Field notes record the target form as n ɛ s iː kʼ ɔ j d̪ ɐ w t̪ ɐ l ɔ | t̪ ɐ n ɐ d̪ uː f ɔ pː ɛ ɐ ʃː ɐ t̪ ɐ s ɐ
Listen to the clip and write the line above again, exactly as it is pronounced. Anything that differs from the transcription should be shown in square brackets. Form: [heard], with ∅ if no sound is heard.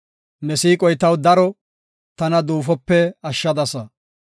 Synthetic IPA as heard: n ɛ s iː kʼ ɔ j [t̪] ɐ w [d̪] ɐ [ɾ] ɔ | t̪ ɐ n ɐ d̪ uː f ɔ pː ɛ ɐ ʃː ɐ [d̪] ɐ s ɐ